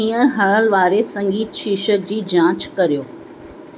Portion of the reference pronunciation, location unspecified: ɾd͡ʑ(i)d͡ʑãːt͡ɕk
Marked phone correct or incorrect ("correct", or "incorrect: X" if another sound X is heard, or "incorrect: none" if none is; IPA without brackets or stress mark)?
incorrect: iː